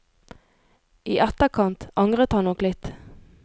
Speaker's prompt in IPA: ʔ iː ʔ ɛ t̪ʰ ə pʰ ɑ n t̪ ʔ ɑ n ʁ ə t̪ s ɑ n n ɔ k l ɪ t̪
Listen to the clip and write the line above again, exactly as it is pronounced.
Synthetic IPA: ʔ iː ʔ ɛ t̪ ə kʰ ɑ n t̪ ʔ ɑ ŋ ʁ ə t̪ h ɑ n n ɔ k l ɪ t̪